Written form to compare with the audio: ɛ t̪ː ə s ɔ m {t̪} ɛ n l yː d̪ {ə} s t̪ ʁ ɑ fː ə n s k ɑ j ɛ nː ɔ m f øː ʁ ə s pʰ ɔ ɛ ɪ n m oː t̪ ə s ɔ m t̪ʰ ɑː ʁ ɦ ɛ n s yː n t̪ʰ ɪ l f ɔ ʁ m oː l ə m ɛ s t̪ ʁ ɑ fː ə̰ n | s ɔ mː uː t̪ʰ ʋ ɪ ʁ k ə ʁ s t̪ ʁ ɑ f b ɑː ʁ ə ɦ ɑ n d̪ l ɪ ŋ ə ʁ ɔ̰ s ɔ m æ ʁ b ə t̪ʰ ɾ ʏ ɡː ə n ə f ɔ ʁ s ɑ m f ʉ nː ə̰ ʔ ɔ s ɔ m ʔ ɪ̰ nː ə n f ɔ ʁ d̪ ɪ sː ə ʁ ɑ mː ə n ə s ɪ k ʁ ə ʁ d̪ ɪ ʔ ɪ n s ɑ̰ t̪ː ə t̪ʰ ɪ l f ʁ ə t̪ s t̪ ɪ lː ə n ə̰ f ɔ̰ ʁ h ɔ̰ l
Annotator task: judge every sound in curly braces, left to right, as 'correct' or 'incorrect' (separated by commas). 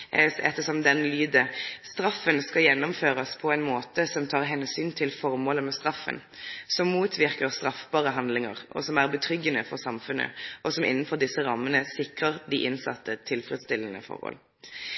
incorrect, correct